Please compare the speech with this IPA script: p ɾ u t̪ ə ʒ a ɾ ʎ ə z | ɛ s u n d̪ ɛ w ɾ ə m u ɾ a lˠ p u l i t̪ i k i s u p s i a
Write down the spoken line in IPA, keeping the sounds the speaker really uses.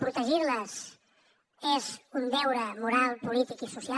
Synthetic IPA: p ɾ u t̪ ə ʒ i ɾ l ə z | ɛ z u n d̪ ɛ w ɾ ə m u ɾ a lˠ p u l i t̪ i k i s u s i a